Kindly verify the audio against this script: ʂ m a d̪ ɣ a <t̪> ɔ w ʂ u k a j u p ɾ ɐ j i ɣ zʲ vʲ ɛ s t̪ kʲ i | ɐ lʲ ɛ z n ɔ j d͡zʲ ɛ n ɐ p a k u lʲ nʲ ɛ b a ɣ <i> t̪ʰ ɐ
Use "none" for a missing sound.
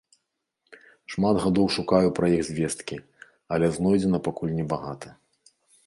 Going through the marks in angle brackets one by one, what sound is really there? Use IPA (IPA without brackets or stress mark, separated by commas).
d̪, a